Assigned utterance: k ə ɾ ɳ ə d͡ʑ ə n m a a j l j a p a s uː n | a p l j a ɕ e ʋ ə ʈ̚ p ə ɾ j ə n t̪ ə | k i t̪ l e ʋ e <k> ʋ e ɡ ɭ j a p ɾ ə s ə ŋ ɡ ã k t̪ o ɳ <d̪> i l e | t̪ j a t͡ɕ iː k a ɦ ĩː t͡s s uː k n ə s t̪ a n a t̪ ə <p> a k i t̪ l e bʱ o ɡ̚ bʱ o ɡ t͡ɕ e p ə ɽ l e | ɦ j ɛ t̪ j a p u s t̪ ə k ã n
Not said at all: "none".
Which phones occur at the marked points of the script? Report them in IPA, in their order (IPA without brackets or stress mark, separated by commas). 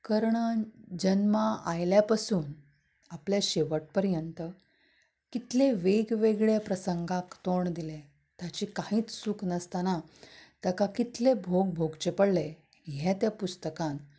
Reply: ɡ, d̪, k